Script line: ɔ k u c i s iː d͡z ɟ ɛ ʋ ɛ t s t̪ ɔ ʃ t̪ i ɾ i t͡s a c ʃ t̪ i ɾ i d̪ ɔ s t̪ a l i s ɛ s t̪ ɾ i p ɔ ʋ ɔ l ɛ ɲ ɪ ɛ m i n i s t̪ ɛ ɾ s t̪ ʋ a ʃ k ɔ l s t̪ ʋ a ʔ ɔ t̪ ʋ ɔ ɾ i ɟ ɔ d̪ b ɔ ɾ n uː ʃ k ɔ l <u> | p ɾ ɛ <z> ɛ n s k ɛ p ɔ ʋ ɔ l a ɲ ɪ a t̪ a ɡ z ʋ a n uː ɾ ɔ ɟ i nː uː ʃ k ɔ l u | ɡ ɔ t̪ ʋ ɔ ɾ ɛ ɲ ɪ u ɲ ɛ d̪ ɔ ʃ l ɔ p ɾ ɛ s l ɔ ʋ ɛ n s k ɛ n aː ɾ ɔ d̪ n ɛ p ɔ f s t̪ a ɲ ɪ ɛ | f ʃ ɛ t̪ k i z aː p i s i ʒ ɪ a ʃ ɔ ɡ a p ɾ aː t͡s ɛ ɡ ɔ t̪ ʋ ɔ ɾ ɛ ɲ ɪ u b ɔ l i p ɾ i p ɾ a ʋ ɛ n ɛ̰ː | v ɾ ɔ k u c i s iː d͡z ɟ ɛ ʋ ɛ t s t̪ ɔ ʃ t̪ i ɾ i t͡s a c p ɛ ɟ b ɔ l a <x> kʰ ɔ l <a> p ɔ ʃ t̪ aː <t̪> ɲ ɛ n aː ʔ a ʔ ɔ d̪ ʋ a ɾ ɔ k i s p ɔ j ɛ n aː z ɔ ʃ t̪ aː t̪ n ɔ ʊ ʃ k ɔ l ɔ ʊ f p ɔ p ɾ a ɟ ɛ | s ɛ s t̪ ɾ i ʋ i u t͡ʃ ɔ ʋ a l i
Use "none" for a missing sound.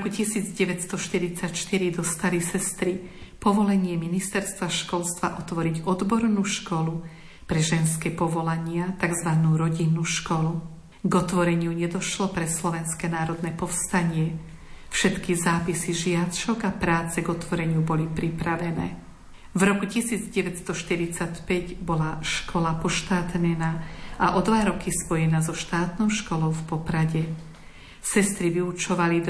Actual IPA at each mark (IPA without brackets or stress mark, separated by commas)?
u, ʒ, ʃ, a, t̪